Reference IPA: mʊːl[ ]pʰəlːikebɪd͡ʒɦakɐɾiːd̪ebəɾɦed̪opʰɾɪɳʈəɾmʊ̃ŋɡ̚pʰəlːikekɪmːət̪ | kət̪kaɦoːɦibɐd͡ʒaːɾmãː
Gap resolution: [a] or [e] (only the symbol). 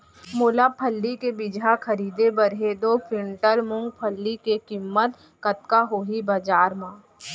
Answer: a